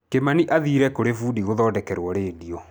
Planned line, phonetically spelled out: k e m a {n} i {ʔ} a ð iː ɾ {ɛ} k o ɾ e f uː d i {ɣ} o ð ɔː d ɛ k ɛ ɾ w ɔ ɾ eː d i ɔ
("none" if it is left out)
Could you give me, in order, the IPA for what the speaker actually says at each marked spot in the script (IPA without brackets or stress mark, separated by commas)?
n, ʔ, ɛ, ɣ